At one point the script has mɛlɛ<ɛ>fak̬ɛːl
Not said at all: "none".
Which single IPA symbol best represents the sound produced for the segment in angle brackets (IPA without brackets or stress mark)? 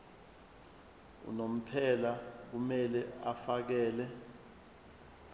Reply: a